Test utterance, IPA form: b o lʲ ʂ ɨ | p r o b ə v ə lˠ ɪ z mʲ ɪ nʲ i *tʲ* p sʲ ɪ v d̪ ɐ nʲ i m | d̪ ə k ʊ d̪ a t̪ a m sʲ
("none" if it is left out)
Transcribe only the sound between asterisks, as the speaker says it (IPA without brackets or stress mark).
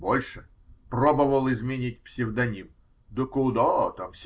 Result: tʲ